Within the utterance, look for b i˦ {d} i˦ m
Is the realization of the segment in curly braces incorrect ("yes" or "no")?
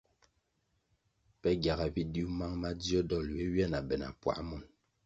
no